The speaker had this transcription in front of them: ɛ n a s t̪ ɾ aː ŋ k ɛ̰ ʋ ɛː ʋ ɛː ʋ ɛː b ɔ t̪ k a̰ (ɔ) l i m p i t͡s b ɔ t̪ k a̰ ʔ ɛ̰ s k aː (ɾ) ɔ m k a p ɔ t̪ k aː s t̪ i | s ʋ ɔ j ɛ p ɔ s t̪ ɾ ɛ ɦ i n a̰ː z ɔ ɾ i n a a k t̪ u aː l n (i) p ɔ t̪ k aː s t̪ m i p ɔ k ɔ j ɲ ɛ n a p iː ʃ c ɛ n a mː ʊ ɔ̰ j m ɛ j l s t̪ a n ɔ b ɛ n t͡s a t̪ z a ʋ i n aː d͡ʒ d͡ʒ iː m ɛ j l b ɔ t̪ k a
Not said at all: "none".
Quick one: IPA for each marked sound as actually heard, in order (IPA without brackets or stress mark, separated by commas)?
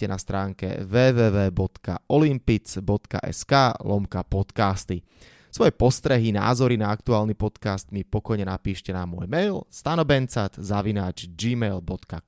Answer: ɔ, l, i